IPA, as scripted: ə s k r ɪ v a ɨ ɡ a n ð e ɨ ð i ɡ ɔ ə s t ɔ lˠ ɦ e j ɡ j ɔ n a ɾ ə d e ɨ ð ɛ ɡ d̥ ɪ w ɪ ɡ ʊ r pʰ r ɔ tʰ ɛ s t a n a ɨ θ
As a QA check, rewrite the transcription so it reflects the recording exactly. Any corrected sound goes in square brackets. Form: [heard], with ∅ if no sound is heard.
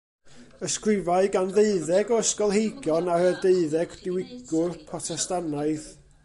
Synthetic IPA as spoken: ə s k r ɪ v a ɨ ɡ a n ð e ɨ ð [ɛ] ɡ ɔ ə s [k] ɔ lˠ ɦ e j ɡ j ɔ n a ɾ ə d e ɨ ð ɛ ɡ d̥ ɪ w ɪ ɡ ʊ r pʰ r ɔ tʰ ɛ s t a n a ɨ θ